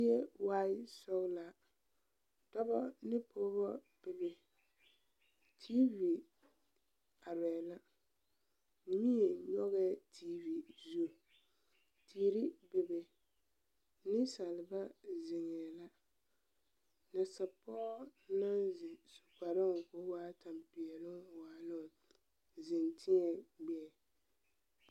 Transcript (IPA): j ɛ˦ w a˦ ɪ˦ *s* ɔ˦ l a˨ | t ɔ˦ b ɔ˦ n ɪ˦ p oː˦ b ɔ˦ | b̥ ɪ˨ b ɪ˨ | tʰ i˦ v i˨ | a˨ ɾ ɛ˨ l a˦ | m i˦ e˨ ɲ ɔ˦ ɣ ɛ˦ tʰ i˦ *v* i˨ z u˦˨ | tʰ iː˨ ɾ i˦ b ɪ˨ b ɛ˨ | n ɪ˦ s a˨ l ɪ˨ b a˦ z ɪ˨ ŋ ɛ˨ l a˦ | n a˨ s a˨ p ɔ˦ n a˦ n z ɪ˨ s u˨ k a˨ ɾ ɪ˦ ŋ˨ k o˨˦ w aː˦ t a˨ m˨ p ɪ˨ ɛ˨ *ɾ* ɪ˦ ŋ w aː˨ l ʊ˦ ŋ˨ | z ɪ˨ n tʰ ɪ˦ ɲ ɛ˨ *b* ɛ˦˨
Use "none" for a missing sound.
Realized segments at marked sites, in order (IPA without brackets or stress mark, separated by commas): s, v, l, ɡ͡b